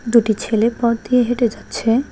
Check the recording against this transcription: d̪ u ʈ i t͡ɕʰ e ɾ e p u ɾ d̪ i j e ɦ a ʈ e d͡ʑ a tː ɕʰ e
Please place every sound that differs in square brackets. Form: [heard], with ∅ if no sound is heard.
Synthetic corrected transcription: d̪ u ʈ i t͡ɕʰ e [l] e p [ɔ] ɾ d̪ i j e ɦ [e] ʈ e d͡ʑ a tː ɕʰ e